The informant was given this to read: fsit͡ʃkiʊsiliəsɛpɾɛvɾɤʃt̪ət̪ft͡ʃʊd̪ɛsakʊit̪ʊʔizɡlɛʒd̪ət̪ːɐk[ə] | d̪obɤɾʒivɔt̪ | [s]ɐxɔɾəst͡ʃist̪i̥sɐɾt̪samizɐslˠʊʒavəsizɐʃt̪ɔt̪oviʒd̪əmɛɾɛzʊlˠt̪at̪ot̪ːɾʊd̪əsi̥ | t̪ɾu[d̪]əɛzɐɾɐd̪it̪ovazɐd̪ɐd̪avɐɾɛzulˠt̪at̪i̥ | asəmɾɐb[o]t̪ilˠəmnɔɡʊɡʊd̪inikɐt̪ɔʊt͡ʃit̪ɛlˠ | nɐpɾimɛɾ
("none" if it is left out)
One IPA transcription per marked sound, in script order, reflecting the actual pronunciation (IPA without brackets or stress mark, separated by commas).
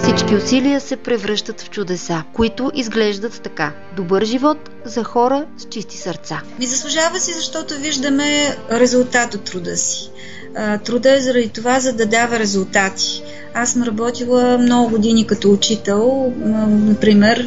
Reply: a, z, d̪, ɔ